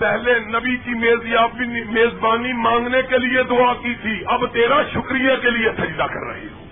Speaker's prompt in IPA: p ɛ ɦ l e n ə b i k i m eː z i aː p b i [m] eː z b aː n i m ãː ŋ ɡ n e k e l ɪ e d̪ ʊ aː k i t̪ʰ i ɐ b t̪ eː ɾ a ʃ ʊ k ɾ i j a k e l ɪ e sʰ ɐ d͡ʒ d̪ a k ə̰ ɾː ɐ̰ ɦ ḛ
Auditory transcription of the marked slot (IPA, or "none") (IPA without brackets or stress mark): m